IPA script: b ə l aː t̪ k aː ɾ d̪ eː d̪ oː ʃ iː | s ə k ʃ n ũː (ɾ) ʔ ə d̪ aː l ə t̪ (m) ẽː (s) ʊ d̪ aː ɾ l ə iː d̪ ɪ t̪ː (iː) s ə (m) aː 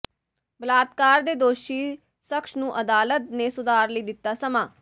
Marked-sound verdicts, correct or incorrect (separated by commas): incorrect, incorrect, correct, incorrect, correct